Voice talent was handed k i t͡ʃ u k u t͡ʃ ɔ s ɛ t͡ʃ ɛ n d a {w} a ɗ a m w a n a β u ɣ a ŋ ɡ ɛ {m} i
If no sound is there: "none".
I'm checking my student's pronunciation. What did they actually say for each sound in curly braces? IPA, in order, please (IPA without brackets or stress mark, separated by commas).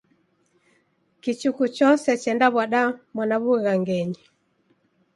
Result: β, ɲ